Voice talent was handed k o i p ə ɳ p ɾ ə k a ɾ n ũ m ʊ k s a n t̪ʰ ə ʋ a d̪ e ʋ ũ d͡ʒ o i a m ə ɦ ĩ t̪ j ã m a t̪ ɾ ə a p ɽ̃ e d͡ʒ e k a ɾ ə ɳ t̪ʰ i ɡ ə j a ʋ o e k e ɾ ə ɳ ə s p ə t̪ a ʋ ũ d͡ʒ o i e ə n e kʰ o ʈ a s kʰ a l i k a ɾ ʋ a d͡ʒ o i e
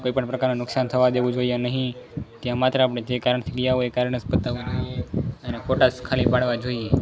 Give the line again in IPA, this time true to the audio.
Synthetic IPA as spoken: k o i p ə ɳ p ɾ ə k a ɾ n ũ n ʊ k s a n t̪ʰ ə ʋ a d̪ e ʋ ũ d͡ʒ o i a n ə ɦ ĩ t̪ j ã m a t̪ ɾ ə a p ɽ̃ e d͡ʒ e k a ɾ ə ɳ t̪ʰ i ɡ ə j a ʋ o e k a ɾ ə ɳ ə s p ə t̪ a ʋ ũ d͡ʒ o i e ə n e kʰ o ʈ a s kʰ a l i p a ɽ ʋ a d͡ʒ o i e